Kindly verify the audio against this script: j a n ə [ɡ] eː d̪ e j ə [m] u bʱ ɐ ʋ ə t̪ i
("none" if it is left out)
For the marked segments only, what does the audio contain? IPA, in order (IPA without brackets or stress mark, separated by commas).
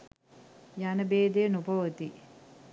b, n